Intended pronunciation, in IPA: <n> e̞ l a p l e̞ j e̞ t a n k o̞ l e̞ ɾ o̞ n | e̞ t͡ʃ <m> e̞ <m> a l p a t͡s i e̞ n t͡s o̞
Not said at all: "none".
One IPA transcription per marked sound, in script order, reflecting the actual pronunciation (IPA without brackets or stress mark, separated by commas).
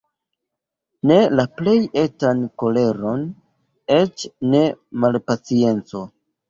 n, n, m